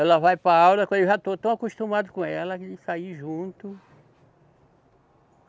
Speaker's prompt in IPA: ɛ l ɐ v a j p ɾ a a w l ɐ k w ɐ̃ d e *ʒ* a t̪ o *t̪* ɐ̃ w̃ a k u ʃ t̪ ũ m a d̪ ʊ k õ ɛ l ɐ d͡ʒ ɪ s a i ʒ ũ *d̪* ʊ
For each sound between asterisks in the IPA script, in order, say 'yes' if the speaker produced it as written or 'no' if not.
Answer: yes, yes, no

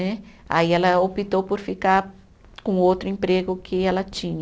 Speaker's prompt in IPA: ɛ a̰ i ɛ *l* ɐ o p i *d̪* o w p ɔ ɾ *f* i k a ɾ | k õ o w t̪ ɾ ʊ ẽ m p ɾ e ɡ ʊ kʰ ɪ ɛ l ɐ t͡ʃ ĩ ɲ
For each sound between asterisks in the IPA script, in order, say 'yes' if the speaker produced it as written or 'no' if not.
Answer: yes, no, yes

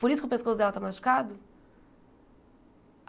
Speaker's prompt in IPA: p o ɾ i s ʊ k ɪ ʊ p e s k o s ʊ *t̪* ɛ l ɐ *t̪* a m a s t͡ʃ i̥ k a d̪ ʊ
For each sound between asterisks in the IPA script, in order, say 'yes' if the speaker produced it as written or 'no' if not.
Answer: no, yes

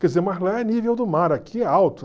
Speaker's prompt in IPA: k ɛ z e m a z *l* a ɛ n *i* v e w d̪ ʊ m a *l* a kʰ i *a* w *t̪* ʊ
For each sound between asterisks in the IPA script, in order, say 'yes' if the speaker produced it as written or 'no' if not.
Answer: yes, yes, no, yes, yes

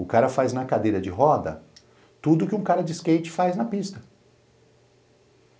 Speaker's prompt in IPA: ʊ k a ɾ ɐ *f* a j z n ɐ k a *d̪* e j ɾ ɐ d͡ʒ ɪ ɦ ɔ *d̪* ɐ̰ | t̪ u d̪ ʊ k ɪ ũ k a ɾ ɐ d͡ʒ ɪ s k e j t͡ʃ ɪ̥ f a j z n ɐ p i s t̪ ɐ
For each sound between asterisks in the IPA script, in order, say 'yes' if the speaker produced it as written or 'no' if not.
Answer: yes, yes, yes

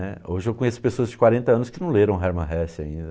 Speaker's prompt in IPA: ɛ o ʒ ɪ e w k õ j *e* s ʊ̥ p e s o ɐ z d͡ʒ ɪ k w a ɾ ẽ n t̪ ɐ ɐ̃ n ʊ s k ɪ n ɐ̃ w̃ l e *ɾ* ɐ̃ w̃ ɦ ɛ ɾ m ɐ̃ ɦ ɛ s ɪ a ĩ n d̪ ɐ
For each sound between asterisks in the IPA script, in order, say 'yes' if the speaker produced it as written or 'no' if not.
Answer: yes, yes

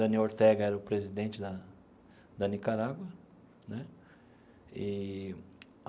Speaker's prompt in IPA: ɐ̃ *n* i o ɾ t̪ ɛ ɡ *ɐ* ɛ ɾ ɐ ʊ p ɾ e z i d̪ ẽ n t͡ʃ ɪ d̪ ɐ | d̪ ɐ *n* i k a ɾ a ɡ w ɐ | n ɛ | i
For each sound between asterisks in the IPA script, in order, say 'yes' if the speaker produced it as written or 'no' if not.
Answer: yes, yes, yes

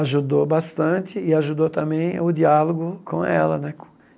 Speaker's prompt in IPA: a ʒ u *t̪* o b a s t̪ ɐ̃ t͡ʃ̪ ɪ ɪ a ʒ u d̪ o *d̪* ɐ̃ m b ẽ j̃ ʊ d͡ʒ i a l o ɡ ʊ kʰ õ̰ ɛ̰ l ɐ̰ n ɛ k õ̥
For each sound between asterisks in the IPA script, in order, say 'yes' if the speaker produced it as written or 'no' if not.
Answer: no, no

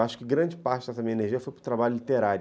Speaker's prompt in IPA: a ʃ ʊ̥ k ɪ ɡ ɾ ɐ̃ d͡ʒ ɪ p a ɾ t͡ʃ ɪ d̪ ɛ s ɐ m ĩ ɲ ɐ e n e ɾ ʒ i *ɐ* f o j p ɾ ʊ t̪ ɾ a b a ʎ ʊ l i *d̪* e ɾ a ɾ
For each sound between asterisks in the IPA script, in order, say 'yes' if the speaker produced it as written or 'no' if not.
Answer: yes, no

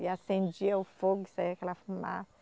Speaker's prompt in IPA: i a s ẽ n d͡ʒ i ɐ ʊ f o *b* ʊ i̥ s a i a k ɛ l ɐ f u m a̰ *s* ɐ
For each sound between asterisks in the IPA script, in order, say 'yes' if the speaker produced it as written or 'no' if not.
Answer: no, yes

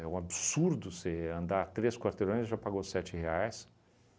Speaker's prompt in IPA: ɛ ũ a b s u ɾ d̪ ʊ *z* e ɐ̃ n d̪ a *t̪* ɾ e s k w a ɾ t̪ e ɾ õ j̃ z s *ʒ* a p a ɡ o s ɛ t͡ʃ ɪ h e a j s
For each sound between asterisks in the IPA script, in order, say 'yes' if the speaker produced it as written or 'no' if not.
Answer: no, yes, yes

